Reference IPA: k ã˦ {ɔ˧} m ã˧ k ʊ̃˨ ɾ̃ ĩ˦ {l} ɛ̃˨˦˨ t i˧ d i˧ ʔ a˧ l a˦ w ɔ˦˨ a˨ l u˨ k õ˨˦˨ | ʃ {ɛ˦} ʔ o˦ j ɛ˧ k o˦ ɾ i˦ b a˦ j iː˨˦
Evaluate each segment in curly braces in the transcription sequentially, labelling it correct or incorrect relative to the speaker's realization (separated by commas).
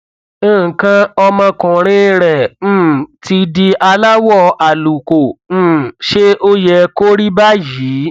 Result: correct, incorrect, incorrect